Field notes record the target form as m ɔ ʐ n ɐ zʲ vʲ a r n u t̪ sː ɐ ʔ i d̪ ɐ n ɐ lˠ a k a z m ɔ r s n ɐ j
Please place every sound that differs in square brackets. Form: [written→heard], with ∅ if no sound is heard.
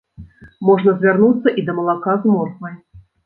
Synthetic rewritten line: m ɔ ʐ n ɐ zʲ vʲ a r n u t̪ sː ɐ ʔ i d̪ ɐ [n→m] ɐ lˠ a k a z m ɔ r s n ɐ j